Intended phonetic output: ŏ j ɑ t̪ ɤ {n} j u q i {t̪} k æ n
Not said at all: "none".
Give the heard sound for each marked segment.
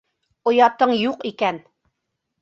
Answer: ɴ, none

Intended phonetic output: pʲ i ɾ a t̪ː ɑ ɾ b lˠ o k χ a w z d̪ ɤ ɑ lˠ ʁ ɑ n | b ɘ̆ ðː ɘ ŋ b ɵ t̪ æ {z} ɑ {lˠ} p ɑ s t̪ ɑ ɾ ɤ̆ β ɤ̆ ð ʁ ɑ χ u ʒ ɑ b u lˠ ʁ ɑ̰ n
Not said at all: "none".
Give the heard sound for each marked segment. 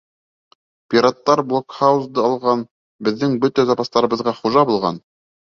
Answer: z, none

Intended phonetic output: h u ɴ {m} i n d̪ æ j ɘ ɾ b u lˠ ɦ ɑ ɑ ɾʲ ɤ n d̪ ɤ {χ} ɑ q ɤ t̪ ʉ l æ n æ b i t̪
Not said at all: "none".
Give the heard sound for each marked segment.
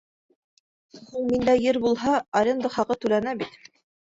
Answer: m, χ

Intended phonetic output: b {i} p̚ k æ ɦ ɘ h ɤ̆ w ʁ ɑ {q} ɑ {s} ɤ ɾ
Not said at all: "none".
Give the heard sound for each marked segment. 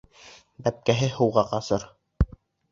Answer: æ, q, s

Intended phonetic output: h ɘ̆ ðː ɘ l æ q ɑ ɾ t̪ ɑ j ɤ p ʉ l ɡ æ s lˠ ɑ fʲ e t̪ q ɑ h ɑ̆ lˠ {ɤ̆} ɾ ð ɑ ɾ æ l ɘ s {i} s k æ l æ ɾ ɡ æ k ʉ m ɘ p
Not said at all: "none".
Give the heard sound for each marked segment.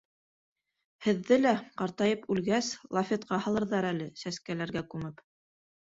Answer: ɤ̆, æ

